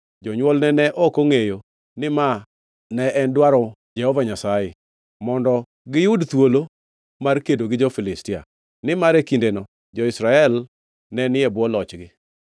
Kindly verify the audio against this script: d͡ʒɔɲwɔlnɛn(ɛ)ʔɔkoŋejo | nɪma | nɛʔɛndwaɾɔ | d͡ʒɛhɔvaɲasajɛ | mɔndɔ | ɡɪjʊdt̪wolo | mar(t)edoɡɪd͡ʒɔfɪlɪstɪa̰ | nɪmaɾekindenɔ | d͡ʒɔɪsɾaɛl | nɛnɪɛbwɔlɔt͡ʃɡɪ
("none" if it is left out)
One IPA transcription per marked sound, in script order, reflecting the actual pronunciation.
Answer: ɛ, k

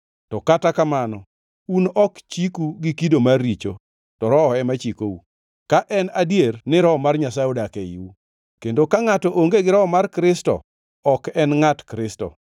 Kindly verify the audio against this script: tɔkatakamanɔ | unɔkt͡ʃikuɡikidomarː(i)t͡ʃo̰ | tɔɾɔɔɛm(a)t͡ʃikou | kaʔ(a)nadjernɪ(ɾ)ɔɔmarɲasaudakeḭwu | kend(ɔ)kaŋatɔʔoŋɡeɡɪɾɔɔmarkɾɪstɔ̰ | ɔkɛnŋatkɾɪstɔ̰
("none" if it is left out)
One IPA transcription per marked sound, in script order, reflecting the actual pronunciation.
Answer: i, a, ɛ, ɾ, o

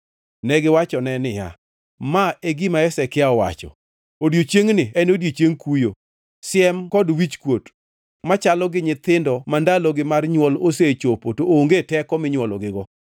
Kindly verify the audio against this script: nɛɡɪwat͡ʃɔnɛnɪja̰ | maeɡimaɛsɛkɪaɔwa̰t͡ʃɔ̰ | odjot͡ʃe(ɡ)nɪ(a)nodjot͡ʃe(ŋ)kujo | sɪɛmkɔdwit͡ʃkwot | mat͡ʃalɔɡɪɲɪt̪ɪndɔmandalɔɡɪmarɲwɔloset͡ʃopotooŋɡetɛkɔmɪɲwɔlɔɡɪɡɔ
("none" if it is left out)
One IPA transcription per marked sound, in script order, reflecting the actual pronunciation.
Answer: ŋ, ɛ, ŋ

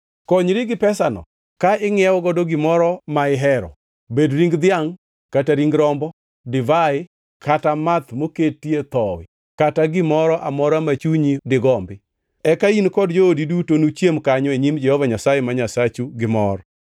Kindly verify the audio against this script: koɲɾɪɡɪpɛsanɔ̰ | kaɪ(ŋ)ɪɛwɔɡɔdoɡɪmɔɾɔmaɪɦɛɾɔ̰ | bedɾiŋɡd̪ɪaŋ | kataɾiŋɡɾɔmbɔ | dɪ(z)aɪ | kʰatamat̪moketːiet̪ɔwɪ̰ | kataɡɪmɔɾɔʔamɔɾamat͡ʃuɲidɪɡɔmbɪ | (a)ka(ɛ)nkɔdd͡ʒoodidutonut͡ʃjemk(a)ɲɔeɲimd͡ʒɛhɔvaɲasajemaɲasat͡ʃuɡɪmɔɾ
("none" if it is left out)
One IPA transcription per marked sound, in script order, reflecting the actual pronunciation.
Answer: ŋ, v, ɛ, i, a

